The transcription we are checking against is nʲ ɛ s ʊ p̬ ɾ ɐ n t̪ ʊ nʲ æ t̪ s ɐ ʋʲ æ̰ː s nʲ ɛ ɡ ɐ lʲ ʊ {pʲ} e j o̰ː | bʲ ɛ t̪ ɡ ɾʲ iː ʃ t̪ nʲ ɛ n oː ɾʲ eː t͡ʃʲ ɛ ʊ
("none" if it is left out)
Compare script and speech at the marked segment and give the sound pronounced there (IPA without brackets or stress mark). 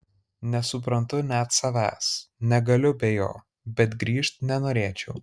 bʲ